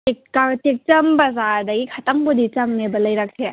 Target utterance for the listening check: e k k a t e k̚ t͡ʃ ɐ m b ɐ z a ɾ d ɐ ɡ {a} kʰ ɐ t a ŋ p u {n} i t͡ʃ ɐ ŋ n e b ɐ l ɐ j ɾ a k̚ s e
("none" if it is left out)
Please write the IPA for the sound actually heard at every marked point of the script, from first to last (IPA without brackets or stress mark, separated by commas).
i, d